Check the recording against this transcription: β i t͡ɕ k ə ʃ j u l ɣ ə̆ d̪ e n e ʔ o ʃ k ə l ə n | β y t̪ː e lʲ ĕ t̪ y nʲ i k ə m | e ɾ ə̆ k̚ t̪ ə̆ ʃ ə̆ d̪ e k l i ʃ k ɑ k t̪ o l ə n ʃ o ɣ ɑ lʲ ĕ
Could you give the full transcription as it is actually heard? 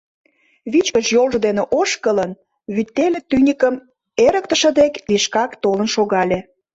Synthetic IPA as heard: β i t͡ɕ k ə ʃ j o l ʒ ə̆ d̪ e n e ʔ o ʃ k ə l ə n | β y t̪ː e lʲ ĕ t̪ y nʲ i k ə m | e ɾ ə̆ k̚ t̪ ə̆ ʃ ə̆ d̪ e k l i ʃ k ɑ k t̪ o l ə n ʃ o ɣ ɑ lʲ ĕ